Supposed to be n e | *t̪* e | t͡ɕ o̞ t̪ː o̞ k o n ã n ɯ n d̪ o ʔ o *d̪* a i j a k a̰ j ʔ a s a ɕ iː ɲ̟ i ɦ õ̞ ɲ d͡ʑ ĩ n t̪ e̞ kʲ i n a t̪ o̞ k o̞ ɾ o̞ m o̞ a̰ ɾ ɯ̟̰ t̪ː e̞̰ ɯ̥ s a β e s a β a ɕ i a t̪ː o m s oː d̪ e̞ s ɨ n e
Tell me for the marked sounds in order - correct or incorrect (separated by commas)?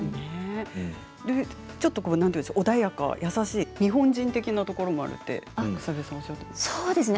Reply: incorrect, correct